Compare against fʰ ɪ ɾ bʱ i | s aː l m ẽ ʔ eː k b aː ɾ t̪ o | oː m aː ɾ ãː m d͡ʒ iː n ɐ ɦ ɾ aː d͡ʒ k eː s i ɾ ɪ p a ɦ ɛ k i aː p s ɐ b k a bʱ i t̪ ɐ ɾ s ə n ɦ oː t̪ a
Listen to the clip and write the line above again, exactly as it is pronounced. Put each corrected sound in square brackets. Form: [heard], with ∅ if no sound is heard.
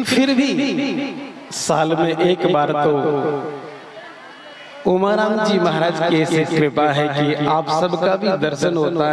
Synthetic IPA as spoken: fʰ ɪ ɾ bʱ i | s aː l m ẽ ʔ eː k b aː ɾ t̪ o | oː m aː ɾ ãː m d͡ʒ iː [m] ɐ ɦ ɾ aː d͡ʒ k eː s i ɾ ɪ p a ɦ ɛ k i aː p s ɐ b k a bʱ i [d̪] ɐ ɾ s ə n ɦ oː t̪ a